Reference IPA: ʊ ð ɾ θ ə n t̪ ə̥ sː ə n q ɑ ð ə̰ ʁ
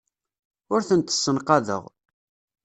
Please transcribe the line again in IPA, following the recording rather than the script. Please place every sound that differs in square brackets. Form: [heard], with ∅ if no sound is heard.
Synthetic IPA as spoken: ʊ [∅] ɾ θ ə n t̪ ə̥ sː ə n q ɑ ð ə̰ ʁ